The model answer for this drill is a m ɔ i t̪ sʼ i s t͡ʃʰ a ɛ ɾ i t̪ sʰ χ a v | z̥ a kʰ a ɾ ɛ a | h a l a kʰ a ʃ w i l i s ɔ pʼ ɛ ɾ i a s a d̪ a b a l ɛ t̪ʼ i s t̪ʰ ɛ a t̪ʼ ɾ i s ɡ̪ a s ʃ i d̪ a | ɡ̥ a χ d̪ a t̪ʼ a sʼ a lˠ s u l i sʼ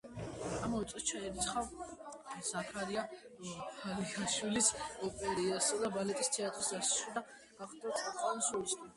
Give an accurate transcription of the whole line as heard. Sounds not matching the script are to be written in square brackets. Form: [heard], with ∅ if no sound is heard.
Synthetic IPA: a m ɔ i t̪ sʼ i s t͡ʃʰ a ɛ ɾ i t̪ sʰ χ a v | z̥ a kʰ a ɾ [i] a | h a l [i] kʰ a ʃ w i l i s ɔ pʼ ɛ ɾ i a s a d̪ a b a l ɛ t̪ʼ i s t̪ʰ ɛ a t̪ʼ ɾ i s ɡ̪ a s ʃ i d̪ a | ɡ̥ a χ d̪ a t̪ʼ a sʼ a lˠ s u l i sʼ